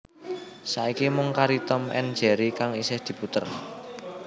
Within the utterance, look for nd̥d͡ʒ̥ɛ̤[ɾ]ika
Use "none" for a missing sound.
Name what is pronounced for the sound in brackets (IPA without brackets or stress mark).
ɾ